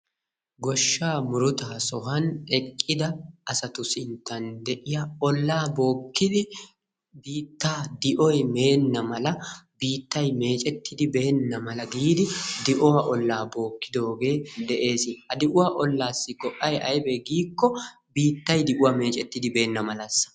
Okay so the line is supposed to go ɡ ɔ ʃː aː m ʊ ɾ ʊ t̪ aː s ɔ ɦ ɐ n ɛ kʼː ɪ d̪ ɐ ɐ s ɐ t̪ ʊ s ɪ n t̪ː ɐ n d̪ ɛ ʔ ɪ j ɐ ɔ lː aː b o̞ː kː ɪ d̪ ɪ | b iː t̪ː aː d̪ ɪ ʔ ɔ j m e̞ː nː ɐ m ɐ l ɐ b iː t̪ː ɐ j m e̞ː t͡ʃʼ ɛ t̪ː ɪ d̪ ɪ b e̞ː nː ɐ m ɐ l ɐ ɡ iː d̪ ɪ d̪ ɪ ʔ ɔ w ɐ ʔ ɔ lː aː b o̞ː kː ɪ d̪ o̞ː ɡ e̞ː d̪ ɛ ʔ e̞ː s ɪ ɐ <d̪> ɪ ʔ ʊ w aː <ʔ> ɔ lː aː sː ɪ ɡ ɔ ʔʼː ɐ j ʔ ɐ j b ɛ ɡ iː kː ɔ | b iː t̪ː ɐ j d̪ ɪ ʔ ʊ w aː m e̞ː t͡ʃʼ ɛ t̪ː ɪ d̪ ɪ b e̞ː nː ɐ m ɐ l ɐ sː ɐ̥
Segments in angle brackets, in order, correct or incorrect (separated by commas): correct, correct